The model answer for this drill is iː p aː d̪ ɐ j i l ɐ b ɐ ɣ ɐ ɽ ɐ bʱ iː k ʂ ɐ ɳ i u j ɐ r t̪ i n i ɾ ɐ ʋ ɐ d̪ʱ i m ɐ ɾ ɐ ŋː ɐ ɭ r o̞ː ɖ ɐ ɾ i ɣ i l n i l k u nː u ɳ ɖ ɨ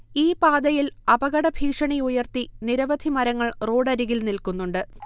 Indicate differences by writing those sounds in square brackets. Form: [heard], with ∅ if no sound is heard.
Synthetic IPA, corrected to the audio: iː p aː d̪ ɐ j i l ɐ b ɐ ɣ ɐ ɽ ɐ bʱ iː k ʂ ɐ ɳ i u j ɐ r t̪ i n i ɾ ɐ ʋ ɐ d̪ʱ i m ɐ ɾ ɐ ŋː ɐ ɭ r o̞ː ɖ ɐ ɾ i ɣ i l n i l k u nː u ɳ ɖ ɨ

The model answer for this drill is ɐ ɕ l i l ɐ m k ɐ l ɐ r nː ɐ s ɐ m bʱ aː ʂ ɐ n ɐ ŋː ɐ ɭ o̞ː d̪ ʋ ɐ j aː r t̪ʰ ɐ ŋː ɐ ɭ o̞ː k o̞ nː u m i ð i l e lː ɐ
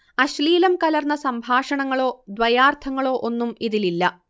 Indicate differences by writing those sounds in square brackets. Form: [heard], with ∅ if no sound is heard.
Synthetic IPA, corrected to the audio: ɐ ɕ l [iː] l ɐ m k ɐ l ɐ r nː ɐ s ɐ m bʱ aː ʂ ɐ [ɳ] ɐ ŋː ɐ ɭ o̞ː d̪ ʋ ɐ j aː r t̪ʰ ɐ ŋː ɐ ɭ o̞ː [ʔ] o̞ nː u m i ð i l [i] lː ɐ

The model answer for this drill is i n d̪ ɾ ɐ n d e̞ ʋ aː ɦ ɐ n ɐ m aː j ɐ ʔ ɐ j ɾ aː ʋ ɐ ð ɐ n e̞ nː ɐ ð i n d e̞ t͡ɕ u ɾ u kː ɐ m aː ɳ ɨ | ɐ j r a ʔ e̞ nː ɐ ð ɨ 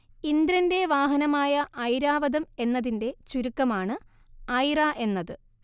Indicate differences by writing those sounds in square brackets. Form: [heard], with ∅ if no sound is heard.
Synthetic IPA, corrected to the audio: i n d̪ ɾ ɐ n d e̞ ʋ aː ɦ ɐ n ɐ m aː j ɐ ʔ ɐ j ɾ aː ʋ ɐ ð ɐ [m] e̞ nː ɐ ð i n d e̞ t͡ɕ u ɾ u kː ɐ m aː ɳ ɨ | ɐ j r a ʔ e̞ nː ɐ ð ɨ

